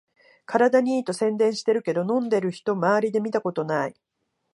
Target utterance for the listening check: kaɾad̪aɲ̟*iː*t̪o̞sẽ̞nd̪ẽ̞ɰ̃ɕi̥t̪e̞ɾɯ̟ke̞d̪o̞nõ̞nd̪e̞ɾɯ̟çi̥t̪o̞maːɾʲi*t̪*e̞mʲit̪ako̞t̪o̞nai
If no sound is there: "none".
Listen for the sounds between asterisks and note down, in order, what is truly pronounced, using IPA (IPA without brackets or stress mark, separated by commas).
iː, d̪